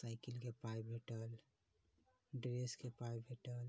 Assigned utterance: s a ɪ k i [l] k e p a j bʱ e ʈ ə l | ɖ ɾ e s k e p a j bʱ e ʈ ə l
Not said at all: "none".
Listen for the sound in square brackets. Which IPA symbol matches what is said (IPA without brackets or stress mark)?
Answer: l